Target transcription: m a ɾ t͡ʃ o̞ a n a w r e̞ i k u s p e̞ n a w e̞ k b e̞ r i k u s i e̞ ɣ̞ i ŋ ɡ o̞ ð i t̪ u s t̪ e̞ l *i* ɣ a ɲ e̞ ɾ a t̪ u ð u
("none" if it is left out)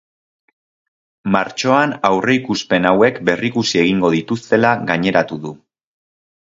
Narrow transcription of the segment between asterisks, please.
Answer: a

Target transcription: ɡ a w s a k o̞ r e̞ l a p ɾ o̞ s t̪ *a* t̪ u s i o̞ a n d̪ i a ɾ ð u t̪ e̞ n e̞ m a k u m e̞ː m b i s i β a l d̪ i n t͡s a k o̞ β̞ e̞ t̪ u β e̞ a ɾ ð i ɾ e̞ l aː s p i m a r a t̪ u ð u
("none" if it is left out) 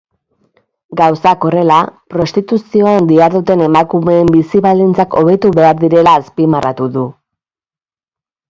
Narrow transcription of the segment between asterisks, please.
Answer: i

